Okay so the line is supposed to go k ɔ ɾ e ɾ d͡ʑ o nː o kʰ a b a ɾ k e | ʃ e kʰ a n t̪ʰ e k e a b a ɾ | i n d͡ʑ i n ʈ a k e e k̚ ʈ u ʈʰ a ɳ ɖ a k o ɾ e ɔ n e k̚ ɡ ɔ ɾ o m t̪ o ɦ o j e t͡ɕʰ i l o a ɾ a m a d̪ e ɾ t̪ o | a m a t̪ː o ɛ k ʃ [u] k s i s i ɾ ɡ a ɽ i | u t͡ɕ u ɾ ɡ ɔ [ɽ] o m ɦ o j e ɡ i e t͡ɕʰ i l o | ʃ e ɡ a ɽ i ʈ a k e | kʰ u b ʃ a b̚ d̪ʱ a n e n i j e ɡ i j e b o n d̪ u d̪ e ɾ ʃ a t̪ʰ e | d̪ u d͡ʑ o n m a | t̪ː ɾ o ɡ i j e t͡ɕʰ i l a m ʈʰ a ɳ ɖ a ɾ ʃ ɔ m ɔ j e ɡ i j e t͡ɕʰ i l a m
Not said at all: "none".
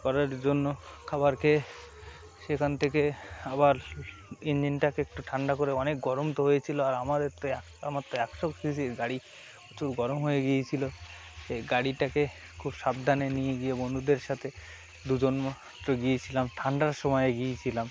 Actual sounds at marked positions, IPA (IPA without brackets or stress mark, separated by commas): o, ɾ